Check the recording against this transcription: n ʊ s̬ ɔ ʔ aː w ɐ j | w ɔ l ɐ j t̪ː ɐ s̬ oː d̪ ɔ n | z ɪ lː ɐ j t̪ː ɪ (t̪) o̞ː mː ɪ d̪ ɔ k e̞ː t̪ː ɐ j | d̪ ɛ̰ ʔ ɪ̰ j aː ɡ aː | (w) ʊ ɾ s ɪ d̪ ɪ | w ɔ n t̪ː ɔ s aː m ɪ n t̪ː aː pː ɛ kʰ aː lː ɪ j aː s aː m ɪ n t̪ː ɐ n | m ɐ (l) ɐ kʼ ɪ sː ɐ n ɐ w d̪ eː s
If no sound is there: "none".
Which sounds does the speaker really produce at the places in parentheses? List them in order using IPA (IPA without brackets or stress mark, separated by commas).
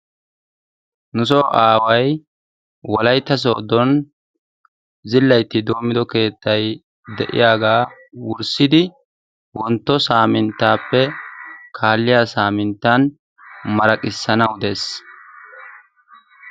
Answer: d̪, w, ɾ